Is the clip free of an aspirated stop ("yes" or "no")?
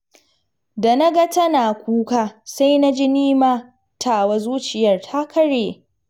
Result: no